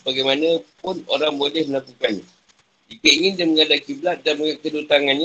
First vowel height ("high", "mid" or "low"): low